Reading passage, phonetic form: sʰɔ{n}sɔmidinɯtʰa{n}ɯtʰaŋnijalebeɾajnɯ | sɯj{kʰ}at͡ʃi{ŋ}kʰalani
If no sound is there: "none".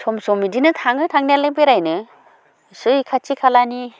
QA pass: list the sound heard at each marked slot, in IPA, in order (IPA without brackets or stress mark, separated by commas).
m, ŋ, kʰ, none